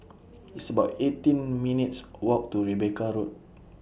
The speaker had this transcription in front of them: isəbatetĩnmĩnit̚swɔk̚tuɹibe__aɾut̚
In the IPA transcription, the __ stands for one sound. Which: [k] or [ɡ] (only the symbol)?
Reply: k